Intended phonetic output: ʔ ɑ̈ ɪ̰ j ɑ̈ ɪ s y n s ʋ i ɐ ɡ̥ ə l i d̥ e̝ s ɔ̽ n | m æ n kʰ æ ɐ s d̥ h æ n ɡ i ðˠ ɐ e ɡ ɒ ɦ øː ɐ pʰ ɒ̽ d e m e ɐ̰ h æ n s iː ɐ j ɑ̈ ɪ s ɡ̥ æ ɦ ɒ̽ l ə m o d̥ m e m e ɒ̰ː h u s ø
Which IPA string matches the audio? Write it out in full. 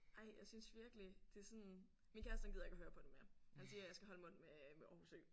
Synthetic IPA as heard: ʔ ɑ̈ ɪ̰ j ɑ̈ ɪ s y n s ʋ i ɐ ɡ̥ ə l i d̥ e̝ s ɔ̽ n | m i n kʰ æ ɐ s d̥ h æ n ɡ i ðˠ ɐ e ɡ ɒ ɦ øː ɐ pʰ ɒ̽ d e m e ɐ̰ h æ n s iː ɐ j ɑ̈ ɪ s ɡ̥ æ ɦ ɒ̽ l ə m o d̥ m e m e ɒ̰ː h u s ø